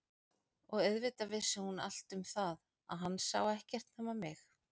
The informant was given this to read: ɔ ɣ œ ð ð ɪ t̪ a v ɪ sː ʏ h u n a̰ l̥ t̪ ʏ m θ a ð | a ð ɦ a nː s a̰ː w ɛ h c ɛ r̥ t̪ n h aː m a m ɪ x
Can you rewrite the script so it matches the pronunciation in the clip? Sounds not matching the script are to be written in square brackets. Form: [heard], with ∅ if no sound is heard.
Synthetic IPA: ɔ ɣ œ ð [v] ɪ t̪ a v ɪ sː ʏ h u n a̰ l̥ t̪ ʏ m θ a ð | a ð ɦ a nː s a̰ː w ɛ h c ɛ r̥ t̪ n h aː m a m ɪ x